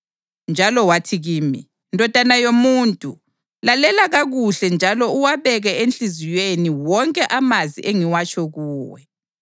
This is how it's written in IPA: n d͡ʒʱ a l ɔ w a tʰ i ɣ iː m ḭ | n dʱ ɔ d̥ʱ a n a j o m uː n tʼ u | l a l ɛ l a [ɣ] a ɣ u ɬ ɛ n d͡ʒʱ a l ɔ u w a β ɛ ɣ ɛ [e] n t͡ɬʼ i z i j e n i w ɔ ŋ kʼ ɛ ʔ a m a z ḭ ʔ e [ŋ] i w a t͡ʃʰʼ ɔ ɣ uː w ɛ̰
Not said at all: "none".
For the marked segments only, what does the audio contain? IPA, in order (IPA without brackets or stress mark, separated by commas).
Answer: ɣ, e, ŋ